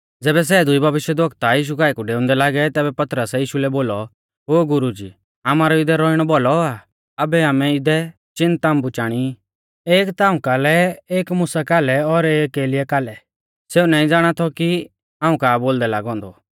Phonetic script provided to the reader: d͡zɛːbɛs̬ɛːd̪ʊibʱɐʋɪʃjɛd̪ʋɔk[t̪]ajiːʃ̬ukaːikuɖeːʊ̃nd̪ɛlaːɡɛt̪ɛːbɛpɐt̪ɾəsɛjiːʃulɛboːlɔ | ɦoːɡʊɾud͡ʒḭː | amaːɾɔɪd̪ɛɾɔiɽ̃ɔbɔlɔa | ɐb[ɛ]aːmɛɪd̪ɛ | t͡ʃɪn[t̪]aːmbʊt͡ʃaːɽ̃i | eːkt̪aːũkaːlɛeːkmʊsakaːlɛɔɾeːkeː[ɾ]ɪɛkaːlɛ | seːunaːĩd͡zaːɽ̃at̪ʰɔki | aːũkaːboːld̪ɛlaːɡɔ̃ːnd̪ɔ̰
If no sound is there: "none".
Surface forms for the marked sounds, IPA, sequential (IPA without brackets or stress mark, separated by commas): t̪, ɛ, t̪, l